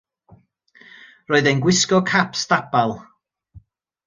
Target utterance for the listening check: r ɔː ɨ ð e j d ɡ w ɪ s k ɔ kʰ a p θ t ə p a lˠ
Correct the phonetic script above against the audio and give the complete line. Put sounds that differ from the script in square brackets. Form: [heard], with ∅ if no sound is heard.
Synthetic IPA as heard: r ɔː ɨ ð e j [n] ɡ w ɪ s k ɔ kʰ a p [s] t [a] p a lˠ